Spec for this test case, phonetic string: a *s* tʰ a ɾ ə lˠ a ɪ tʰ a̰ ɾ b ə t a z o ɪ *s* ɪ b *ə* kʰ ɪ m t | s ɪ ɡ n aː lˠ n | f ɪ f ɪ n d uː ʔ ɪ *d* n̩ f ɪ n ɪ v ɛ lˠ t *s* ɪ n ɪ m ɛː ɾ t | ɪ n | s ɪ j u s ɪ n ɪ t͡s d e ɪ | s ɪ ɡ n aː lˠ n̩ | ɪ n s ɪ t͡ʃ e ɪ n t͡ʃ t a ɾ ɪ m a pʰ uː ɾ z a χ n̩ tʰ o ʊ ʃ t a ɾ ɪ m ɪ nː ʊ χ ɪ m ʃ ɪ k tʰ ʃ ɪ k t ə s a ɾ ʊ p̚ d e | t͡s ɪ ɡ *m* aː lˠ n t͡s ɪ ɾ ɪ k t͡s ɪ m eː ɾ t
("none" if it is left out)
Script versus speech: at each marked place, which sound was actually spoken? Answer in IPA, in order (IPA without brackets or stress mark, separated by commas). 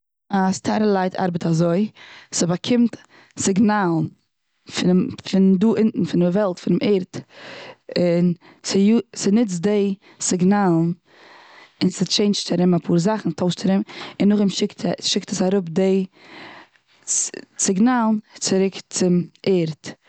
s, s, a, n, f, n